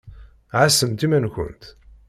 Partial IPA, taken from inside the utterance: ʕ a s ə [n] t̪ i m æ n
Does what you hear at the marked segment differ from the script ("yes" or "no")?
yes